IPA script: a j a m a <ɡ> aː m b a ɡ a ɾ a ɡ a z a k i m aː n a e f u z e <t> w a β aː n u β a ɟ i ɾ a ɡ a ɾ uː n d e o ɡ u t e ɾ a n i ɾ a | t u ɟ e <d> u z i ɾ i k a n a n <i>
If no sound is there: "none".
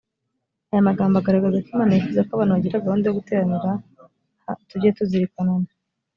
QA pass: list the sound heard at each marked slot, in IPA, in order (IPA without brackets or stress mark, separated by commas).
ɡ, k, t, a